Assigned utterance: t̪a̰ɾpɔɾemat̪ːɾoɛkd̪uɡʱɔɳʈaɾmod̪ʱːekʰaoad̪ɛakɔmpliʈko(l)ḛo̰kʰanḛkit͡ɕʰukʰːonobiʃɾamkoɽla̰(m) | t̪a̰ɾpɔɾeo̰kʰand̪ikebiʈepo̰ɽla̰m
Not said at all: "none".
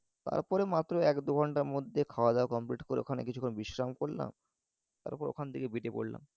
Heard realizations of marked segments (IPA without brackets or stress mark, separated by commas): ɾ, m